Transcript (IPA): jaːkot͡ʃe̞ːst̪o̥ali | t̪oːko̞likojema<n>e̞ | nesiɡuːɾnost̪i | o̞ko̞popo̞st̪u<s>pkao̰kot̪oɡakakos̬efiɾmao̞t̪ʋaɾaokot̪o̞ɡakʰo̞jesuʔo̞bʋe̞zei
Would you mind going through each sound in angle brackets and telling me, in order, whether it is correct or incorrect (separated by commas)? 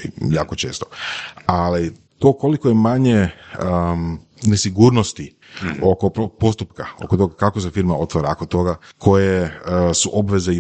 incorrect, incorrect